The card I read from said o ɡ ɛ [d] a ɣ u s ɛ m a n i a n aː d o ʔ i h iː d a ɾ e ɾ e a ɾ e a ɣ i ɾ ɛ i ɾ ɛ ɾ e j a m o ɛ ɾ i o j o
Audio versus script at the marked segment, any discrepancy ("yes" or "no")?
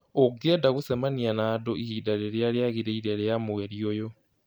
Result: no